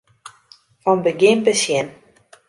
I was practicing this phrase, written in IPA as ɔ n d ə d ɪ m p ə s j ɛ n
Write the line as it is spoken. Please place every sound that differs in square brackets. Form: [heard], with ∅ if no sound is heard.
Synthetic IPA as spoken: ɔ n [b] ə [ɡ] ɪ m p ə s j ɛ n